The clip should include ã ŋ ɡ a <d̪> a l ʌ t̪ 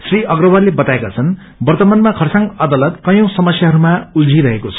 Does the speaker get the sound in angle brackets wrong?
no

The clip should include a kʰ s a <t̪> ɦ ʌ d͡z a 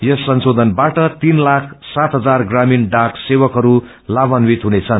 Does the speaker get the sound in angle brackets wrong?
no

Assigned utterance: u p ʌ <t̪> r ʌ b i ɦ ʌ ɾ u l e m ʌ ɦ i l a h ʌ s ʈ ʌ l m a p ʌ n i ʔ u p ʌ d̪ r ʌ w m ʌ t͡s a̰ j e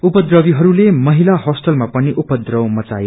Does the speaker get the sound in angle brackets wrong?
yes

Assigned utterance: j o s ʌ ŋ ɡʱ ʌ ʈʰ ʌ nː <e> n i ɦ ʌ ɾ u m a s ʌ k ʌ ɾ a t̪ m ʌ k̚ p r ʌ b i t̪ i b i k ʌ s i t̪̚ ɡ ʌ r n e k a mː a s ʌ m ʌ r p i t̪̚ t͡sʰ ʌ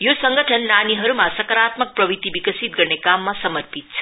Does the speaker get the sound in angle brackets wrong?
yes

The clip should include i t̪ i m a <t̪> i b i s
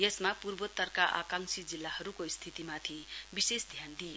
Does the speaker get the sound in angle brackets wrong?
yes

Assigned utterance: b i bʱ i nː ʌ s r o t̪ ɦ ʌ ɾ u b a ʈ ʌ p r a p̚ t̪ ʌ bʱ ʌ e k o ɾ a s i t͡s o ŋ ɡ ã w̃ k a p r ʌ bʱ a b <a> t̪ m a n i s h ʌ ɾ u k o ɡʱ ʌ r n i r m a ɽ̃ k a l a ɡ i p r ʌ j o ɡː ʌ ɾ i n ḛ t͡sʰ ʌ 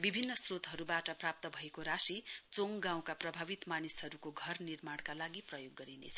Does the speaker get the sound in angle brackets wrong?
yes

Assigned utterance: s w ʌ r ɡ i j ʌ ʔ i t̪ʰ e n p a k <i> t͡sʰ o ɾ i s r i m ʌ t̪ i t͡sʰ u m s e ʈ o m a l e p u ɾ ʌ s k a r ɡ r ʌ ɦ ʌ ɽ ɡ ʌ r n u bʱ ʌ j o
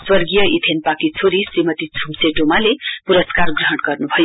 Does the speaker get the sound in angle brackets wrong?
no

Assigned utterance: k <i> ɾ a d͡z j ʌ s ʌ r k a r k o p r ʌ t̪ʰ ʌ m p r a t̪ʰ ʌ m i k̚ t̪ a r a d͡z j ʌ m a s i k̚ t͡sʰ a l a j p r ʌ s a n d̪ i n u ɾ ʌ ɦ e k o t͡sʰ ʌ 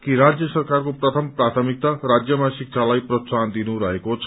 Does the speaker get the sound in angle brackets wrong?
no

